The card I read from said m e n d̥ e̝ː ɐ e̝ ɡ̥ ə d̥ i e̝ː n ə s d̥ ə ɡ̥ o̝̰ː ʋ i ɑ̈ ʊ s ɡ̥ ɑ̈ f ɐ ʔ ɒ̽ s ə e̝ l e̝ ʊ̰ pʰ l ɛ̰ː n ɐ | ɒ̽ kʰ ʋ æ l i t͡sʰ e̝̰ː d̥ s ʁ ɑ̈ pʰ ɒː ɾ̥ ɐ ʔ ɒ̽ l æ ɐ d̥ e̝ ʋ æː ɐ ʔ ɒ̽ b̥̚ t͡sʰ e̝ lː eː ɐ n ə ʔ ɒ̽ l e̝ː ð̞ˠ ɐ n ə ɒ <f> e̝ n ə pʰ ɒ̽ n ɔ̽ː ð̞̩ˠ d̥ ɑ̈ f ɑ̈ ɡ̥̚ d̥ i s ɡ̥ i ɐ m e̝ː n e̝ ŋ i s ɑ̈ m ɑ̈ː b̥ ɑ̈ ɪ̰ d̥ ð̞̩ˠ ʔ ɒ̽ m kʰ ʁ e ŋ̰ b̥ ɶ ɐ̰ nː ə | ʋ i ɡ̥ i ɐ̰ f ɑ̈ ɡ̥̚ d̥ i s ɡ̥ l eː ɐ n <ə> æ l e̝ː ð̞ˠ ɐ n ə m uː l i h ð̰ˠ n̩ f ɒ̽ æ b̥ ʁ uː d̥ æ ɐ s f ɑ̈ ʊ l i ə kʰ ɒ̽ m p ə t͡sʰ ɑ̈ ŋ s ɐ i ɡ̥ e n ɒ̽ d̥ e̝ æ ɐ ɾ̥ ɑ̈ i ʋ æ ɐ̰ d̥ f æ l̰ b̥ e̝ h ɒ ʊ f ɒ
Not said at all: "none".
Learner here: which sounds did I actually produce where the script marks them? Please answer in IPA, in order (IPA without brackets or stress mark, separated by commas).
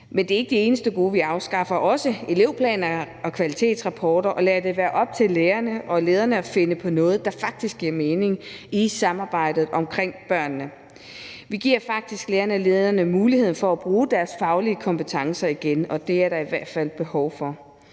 f, ə